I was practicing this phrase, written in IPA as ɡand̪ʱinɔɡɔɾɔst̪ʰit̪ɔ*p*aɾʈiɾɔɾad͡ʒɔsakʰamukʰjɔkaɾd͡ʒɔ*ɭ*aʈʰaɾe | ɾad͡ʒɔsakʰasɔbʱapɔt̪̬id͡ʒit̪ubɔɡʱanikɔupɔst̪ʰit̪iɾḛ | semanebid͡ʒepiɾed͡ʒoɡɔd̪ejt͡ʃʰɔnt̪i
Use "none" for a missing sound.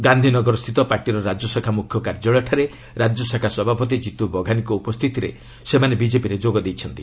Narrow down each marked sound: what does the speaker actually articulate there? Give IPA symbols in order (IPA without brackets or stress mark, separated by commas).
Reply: p, ɭ